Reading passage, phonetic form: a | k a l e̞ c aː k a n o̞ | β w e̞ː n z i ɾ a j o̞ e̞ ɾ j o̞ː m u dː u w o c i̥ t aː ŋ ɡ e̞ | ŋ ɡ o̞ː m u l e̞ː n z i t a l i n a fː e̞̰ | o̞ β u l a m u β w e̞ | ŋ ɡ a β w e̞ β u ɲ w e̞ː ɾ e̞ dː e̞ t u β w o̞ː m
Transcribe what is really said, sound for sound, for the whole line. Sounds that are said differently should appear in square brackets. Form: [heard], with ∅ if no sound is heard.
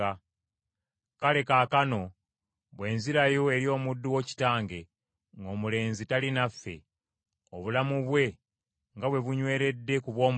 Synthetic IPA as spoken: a | k a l e̞ [k] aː k a n o̞ | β w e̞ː n z i ɾ a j o̞ e̞ ɾ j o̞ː m u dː u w o c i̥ t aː ŋ ɡ e̞ | ŋ ɡ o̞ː m u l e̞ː n z i t a l i n a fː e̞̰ | o̞ β u l a m u β w e̞ | ŋ ɡ a β w e̞ β u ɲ w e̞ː ɾ e̞ dː e̞ [k] u β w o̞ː m